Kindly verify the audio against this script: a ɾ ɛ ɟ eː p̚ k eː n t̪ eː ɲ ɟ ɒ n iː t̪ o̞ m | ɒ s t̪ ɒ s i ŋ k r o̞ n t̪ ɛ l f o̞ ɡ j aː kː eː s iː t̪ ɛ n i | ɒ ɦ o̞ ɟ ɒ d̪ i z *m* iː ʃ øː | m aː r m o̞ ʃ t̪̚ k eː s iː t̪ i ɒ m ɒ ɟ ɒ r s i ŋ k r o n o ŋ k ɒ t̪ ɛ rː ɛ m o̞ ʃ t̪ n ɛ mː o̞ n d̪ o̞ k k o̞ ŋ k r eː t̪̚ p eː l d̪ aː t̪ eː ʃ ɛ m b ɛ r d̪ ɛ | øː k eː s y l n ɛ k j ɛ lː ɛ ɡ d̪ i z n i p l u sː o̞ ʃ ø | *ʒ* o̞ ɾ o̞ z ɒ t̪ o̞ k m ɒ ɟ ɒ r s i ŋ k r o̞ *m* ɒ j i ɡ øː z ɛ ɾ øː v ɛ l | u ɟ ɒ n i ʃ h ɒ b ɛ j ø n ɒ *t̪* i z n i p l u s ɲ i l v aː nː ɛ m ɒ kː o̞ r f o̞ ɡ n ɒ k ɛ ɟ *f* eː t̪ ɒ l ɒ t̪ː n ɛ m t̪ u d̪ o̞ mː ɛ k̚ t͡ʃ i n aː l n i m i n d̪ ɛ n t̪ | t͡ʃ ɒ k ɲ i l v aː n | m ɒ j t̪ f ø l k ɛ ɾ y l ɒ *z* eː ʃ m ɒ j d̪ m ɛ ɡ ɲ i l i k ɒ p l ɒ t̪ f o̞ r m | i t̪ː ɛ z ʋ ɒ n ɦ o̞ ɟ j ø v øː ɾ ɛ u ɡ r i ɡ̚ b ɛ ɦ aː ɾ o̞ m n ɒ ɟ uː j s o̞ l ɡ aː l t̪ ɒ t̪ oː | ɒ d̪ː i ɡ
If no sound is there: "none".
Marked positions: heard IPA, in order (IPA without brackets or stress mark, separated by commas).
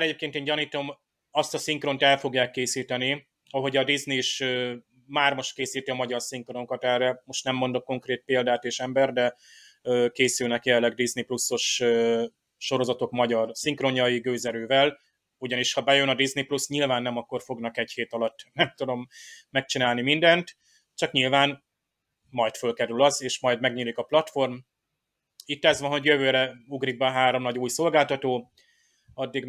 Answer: n, ʃ, ɲ, d̪, h, z